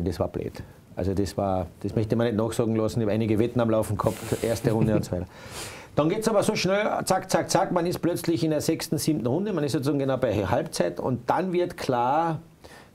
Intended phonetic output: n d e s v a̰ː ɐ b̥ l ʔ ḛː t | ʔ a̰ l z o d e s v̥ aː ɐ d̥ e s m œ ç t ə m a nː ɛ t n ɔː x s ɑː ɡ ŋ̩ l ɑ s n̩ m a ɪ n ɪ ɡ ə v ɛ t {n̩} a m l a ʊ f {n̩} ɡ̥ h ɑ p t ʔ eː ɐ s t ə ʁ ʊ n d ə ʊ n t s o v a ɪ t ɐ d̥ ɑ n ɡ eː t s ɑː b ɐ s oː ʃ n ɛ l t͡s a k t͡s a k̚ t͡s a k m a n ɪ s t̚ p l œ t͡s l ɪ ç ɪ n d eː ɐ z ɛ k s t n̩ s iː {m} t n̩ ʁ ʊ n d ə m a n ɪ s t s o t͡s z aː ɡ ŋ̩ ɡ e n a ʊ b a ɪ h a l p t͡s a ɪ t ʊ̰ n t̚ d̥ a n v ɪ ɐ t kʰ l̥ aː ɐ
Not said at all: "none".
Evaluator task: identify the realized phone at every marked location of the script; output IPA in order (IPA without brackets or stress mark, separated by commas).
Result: n̩, n̩, m